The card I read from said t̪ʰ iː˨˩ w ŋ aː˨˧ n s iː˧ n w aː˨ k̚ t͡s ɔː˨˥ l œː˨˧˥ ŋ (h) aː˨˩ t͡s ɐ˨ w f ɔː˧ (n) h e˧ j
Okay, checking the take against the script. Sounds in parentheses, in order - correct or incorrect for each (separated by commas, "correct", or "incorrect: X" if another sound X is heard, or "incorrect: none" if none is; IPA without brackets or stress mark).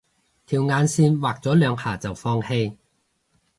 correct, incorrect: ŋ